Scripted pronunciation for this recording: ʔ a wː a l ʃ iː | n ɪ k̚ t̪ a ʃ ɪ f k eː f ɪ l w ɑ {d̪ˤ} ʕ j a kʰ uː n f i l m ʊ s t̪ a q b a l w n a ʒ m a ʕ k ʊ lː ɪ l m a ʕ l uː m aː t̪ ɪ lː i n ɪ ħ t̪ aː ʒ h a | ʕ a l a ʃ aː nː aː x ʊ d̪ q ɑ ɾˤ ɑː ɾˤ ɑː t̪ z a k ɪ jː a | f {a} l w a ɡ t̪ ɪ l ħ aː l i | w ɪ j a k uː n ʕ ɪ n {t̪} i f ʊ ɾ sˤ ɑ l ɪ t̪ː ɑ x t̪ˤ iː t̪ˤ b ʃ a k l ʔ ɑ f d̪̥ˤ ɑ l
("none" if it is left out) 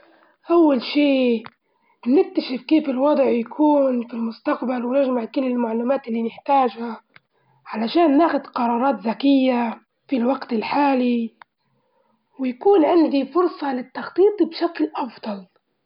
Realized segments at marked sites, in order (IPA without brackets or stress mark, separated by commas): d̪ˤ, i, d̪